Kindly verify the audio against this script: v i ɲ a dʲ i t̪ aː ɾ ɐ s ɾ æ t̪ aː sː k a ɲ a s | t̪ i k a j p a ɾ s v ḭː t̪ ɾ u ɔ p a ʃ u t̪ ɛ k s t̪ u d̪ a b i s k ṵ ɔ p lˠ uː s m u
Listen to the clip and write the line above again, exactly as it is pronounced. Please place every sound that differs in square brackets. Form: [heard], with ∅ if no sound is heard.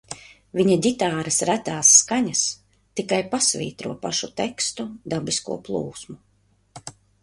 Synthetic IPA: v i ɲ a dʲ i t̪ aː ɾ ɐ s ɾ æ t̪ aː sː k a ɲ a s | t̪ i k a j p a [∅] s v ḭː t̪ ɾ u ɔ p a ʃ u t̪ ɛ k s t̪ u d̪ a b i s k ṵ ɔ p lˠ uː s m u